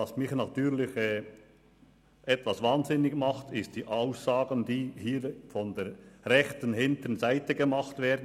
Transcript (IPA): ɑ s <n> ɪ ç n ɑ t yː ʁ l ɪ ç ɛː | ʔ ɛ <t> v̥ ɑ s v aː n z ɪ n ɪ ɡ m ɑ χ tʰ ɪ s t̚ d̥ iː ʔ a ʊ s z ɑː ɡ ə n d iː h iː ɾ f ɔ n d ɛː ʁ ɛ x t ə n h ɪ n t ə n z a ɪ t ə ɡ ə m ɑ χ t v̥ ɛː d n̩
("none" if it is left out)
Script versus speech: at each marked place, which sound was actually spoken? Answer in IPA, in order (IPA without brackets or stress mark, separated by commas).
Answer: m, t